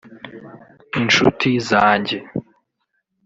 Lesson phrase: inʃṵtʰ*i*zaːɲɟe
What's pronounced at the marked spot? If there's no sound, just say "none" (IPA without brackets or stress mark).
i